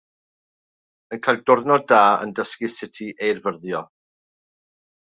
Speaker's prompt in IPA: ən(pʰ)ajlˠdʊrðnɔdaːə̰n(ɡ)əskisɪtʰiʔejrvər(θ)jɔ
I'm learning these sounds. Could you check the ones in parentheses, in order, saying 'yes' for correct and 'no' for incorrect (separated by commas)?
no, no, no